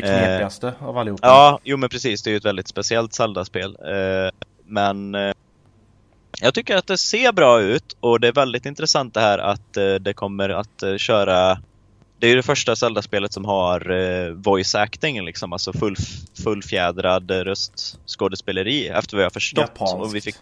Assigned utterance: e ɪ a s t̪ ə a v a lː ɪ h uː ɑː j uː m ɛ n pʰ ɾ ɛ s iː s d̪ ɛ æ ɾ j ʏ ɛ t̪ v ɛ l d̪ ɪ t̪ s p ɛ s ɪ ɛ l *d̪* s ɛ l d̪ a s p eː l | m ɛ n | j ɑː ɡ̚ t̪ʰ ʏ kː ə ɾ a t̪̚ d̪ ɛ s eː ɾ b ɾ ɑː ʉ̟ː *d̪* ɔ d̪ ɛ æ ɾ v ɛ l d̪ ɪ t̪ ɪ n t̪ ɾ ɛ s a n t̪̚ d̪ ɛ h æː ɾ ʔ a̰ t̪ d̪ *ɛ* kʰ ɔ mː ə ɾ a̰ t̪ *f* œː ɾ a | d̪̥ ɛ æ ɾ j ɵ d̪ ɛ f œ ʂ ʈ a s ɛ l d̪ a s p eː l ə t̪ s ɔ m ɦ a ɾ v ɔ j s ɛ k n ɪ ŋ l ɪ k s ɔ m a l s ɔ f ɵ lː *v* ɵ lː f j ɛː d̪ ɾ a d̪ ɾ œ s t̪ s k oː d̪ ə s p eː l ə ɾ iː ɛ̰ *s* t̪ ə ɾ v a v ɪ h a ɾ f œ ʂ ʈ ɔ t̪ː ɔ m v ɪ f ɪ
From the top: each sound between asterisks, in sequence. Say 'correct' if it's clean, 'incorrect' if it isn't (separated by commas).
incorrect, incorrect, correct, incorrect, incorrect, incorrect